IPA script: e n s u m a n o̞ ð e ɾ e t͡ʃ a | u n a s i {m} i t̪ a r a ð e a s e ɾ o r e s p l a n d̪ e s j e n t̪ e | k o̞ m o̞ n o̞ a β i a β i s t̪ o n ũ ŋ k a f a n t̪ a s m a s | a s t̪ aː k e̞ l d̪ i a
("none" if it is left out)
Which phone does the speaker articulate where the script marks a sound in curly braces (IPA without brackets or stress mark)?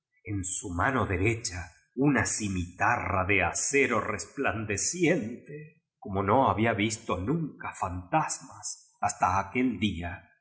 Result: m